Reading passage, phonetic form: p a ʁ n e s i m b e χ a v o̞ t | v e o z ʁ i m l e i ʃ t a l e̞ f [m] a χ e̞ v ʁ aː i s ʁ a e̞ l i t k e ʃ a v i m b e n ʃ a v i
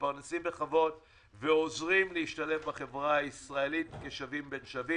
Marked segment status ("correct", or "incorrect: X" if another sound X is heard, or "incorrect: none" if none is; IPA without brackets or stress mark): incorrect: b